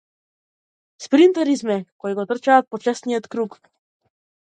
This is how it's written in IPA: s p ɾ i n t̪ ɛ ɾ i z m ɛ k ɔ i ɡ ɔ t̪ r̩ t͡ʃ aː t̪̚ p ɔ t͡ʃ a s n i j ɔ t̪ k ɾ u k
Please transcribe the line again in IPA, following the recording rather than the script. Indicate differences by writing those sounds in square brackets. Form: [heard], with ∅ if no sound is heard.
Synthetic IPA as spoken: s p ɾ i n t̪ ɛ ɾ i z m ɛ k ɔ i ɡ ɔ t̪ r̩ t͡ʃ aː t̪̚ p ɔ t͡ʃ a s n i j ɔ t̪ k ɾ u k